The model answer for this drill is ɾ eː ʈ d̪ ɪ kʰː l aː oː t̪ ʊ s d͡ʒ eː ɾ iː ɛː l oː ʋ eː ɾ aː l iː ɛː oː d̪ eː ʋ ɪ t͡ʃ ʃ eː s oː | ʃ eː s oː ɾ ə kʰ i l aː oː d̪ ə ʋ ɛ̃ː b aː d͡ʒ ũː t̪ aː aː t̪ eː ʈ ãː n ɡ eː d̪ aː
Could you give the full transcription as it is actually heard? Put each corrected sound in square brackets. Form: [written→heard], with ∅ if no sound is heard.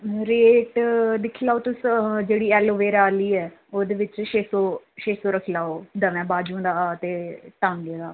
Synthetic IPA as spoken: ɾ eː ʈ d̪ ɪ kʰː l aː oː t̪ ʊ s d͡ʒ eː [ɾ→ɽ] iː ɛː l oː ʋ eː ɾ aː l iː ɛː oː d̪ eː ʋ ɪ t͡ʃ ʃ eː s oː | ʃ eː s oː ɾ ə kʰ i l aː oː d̪ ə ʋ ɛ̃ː b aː d͡ʒ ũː [t̪→d̪] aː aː t̪ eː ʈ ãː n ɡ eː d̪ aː